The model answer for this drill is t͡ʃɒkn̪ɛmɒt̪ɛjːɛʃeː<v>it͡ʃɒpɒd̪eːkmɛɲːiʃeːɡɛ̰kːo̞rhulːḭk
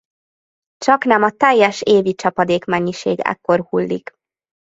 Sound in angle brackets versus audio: correct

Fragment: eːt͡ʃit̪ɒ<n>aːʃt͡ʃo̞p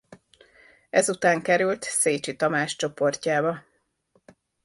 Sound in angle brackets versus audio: incorrect: m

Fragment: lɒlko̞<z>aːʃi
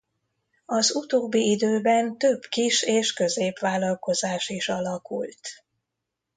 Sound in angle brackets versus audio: correct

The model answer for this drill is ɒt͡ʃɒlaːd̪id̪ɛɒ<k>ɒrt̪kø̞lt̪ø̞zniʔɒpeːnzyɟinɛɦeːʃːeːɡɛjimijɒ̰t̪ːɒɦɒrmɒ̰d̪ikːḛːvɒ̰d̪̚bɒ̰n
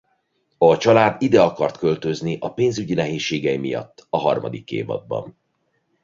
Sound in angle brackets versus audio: correct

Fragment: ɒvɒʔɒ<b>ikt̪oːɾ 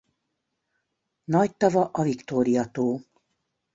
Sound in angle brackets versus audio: incorrect: v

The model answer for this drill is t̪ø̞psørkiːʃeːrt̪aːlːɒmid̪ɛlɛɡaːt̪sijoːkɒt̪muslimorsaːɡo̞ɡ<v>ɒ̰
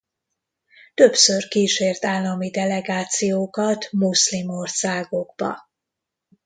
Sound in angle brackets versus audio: incorrect: b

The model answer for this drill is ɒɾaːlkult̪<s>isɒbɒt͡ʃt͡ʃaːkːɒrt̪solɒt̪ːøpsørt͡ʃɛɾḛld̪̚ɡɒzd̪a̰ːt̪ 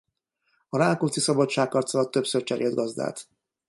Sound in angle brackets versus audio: correct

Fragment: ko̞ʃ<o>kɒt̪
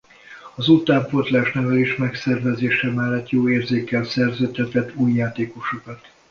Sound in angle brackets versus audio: correct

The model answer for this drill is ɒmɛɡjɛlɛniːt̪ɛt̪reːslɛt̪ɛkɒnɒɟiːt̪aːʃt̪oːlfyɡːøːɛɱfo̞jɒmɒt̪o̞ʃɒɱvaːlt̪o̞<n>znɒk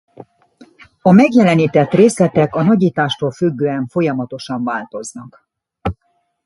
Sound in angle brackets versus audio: incorrect: none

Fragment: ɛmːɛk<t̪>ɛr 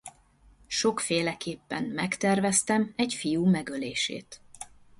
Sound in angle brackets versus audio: correct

